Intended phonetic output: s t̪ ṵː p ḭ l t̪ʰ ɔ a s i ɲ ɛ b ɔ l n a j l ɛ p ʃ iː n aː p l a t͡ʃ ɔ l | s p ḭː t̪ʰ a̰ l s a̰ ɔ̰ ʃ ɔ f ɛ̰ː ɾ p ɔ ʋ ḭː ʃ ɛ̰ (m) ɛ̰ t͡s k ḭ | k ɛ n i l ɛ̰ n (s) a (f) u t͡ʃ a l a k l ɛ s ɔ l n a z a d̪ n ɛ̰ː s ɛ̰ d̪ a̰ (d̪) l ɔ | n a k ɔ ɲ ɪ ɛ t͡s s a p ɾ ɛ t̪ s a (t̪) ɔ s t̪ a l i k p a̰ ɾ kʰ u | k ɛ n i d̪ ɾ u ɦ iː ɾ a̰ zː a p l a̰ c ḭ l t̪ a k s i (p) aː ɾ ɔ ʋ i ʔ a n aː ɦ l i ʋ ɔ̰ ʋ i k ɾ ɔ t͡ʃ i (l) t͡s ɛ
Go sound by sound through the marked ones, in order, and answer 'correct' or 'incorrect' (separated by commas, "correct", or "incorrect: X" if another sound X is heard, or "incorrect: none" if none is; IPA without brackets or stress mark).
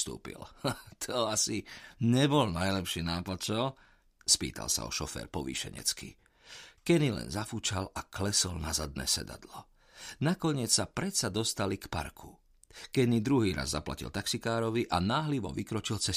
incorrect: ɲ, incorrect: z, correct, correct, incorrect: d̪, incorrect: k, correct